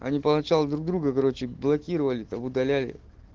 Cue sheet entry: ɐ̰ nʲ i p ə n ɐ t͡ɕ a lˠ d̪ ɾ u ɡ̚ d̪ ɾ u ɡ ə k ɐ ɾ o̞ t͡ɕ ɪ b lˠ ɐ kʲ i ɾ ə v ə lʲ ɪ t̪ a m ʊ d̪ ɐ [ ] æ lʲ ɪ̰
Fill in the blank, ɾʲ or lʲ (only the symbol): lʲ